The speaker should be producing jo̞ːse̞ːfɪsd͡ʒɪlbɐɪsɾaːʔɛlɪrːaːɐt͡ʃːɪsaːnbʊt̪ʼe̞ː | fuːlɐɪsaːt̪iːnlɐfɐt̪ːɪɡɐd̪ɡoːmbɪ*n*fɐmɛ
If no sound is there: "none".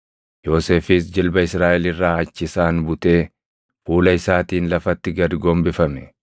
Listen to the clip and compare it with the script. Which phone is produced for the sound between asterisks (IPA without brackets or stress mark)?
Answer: none